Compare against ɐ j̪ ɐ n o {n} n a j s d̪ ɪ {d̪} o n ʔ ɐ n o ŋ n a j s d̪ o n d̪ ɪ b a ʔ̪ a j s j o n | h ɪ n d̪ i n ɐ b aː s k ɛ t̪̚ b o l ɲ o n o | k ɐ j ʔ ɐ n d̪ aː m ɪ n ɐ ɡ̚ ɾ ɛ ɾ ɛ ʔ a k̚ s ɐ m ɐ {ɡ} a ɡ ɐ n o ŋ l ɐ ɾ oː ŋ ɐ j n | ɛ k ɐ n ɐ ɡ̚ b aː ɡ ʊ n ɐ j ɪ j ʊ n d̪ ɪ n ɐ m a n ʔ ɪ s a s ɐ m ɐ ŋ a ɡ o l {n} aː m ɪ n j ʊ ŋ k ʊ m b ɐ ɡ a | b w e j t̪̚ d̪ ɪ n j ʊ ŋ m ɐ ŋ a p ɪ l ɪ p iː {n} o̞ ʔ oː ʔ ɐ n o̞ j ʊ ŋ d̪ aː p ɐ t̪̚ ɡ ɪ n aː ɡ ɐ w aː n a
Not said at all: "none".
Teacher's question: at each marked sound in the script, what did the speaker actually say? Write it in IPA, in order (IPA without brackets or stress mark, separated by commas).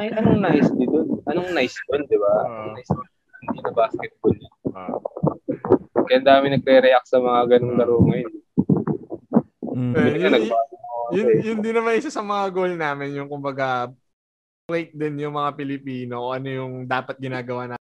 ŋ, d̪, ŋ, n, n